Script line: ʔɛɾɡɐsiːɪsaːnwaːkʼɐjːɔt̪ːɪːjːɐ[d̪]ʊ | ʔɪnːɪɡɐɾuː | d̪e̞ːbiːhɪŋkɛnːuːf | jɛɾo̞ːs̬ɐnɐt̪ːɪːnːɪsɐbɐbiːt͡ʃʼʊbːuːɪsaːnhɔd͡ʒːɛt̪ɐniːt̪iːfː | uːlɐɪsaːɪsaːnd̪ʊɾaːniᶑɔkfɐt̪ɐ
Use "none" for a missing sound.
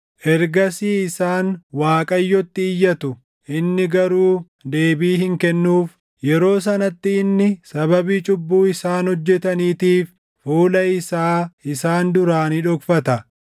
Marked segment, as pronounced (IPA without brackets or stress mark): t̪